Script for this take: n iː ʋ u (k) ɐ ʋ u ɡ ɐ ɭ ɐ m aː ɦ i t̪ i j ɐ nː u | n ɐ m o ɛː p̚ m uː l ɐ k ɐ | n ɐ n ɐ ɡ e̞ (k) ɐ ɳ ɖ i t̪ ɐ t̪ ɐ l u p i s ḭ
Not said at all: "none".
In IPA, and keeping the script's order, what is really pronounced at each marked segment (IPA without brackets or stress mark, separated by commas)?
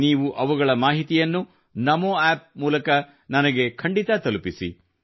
ʔ, kʰ